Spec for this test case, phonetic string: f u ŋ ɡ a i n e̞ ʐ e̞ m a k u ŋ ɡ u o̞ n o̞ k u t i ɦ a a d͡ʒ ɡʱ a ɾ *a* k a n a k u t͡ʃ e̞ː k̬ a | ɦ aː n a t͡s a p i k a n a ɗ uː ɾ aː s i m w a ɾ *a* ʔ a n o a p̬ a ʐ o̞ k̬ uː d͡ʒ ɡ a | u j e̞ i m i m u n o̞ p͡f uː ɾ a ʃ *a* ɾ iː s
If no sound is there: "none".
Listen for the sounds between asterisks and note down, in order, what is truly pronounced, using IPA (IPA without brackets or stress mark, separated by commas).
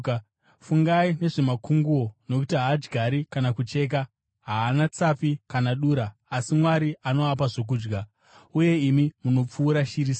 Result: i, i, i